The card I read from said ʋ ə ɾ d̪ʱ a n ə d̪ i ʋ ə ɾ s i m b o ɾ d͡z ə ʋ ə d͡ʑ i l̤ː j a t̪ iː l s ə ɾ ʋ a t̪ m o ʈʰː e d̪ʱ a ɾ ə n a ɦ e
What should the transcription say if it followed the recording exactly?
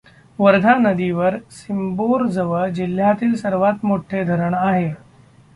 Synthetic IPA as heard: ʋ ə ɾ d̪ʱ a n ə d̪ i ʋ ə ɾ s i m b o ɾ d͡z ə ʋ ə d͡ʑ i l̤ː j a t̪ iː l s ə ɾ ʋ a t̪ m o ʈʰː e d̪ʱ ə ɾ ə ɳ a ɦ e

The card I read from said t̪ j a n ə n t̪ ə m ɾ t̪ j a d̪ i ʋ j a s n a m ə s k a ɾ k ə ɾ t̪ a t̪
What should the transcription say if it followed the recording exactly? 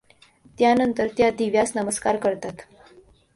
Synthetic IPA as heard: t̪ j a n ə n t̪ ə ɾ t̪ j a d̪ i ʋ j a s n ə m ə s k a ɾ k ə ɾ t̪ a t̪

